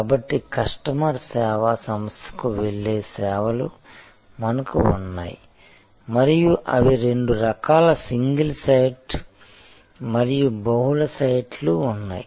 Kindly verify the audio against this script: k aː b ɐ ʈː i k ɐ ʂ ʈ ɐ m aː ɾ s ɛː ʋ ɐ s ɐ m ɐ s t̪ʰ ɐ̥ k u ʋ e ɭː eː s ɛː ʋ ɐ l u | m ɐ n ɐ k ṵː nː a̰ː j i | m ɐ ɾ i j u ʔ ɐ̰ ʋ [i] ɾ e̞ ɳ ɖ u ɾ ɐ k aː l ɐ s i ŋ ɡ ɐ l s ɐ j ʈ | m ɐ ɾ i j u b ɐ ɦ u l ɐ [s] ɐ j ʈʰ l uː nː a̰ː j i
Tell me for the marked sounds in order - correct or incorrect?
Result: correct, correct

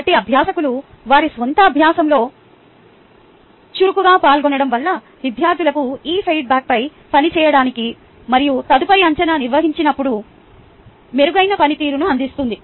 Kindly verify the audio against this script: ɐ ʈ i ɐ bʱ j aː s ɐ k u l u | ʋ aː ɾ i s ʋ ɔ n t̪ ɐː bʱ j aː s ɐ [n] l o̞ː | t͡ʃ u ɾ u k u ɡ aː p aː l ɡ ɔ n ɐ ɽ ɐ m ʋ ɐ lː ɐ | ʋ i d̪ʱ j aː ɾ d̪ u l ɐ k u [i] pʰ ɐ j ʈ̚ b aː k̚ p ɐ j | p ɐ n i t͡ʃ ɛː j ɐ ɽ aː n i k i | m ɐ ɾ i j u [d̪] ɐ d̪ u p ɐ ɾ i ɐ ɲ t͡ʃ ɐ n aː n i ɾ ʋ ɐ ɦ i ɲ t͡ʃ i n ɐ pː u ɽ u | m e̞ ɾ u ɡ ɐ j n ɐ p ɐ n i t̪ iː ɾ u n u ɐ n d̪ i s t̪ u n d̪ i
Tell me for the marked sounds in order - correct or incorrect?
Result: incorrect: m, incorrect: iː, incorrect: t̪

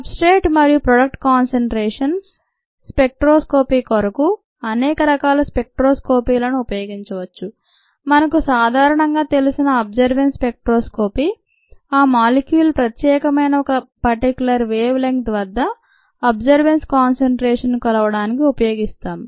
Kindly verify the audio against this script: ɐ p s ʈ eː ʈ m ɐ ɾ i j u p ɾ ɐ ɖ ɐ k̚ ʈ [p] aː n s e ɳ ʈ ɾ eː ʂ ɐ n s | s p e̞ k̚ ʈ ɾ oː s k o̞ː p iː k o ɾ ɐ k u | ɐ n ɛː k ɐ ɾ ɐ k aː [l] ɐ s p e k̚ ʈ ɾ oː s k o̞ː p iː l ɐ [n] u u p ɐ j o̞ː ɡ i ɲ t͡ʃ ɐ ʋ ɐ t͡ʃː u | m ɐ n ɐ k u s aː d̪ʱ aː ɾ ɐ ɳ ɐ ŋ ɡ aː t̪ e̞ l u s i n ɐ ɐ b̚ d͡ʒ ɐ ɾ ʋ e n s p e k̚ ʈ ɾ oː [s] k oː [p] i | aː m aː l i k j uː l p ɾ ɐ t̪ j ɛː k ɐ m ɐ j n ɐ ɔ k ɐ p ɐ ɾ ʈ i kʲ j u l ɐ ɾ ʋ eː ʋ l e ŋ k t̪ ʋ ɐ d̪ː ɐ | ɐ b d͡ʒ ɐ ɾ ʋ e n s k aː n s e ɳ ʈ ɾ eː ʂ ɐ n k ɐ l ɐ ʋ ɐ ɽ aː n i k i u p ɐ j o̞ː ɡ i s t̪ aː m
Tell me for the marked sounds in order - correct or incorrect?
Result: incorrect: k, correct, correct, correct, correct

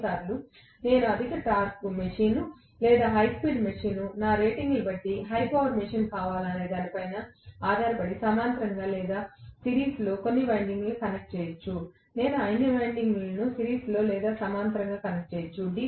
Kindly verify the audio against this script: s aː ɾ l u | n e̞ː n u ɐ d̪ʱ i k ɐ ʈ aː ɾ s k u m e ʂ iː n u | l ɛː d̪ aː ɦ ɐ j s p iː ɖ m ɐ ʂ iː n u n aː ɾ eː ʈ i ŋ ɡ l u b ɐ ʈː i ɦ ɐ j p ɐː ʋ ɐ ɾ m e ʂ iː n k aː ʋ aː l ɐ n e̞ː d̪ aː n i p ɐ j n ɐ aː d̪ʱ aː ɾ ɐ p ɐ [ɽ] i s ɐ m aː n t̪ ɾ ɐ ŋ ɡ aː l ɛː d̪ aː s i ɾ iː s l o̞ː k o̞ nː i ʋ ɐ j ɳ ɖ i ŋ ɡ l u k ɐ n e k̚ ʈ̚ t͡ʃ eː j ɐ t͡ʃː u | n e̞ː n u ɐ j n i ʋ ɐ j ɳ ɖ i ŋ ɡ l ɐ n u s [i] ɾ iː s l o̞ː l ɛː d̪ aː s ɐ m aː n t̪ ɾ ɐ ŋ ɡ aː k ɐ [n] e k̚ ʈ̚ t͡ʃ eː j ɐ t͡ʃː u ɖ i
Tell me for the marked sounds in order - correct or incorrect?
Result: correct, correct, correct

